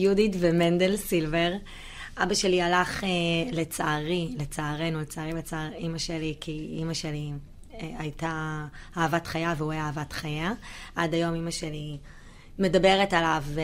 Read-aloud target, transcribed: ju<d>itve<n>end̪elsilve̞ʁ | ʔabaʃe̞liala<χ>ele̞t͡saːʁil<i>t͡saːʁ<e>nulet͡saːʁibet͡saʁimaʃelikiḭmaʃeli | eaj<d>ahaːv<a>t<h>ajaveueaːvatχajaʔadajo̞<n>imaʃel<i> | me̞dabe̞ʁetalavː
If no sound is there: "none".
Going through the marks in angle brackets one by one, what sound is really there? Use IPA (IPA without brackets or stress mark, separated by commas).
d, m, χ, e, e, t, a, χ, m, i